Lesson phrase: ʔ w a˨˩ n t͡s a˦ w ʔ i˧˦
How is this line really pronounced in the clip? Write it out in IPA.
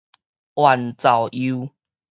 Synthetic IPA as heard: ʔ w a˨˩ n t͡s a˨˩ w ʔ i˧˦